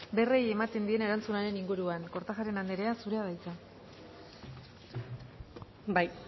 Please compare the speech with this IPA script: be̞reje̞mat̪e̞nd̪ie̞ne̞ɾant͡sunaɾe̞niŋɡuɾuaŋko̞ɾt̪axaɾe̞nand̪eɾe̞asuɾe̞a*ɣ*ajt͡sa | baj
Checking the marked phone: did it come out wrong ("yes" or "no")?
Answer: yes